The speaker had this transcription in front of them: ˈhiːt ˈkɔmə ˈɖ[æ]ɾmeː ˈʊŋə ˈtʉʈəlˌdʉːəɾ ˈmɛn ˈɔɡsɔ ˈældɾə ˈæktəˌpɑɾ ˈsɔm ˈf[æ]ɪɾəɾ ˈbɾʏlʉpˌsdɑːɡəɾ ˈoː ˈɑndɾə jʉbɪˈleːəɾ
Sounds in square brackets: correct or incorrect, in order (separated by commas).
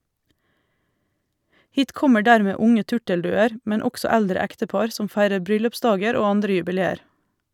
incorrect, correct